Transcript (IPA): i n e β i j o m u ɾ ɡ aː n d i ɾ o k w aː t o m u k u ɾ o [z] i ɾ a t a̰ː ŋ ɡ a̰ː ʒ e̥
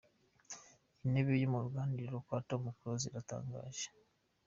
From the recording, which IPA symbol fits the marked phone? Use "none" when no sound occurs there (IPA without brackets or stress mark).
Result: z